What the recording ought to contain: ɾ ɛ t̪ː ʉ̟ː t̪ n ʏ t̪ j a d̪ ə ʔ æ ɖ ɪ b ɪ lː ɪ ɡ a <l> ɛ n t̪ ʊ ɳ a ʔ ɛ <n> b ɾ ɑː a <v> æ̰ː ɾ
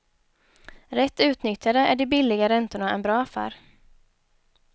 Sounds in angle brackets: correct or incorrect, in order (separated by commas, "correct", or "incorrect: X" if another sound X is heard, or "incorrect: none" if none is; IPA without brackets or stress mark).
incorrect: ɾ, correct, incorrect: f